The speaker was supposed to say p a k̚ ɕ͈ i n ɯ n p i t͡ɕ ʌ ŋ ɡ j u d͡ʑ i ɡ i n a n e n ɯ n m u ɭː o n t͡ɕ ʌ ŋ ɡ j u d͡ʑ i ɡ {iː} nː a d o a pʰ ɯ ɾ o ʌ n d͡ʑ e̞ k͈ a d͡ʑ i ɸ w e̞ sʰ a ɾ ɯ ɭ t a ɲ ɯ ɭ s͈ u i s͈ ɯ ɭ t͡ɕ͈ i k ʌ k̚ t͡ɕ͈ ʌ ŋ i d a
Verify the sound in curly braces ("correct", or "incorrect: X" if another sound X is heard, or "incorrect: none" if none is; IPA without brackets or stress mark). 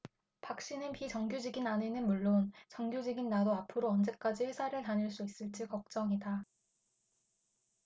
incorrect: i